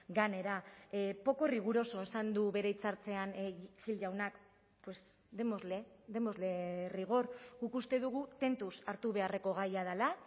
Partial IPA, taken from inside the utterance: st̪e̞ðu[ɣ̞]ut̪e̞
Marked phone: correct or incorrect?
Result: correct